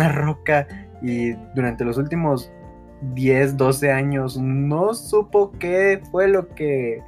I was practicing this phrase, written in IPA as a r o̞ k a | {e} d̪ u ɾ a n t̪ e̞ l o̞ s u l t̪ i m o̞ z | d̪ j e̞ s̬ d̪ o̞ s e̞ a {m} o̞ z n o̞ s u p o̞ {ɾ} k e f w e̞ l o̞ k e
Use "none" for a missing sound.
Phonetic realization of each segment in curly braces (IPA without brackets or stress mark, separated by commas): i, ɲ, none